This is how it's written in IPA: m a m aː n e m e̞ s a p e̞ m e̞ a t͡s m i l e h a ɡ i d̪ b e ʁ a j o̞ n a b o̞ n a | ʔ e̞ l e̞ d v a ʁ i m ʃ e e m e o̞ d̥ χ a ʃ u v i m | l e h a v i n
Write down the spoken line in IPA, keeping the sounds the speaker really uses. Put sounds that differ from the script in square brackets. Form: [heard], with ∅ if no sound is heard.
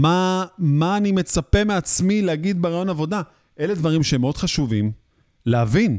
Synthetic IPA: m a m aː n [i] m e̞ [t͡s] a p e̞ m e̞ a t͡s m i l e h a ɡ i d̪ b e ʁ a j o̞ n a [v] o̞ [d] a | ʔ e̞ l e̞ d v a ʁ i m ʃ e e m e o̞ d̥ χ a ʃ u v i m | l e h a v i n